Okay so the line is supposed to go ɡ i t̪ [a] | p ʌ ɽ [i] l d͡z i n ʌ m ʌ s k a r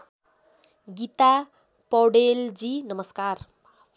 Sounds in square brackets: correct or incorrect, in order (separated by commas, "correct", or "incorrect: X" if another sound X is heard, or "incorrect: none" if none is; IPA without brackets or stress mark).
correct, incorrect: e